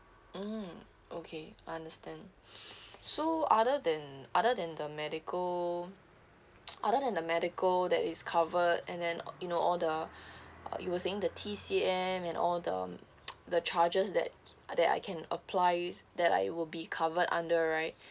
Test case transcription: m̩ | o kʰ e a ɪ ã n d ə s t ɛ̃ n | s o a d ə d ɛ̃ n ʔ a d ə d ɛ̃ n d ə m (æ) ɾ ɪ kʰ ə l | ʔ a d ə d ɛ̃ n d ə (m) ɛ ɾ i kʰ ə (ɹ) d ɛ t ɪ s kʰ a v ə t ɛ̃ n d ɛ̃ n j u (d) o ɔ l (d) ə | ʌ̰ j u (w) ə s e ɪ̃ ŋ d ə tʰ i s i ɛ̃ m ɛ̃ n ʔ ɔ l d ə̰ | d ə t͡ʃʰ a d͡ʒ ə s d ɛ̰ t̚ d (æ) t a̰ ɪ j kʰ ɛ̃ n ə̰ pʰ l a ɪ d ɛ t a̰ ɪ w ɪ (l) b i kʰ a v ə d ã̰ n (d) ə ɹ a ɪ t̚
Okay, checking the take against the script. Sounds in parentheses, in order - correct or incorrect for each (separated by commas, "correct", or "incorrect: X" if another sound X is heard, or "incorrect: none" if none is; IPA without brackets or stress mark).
incorrect: ɛ, correct, incorrect: l, incorrect: n, correct, correct, incorrect: ɛ, correct, correct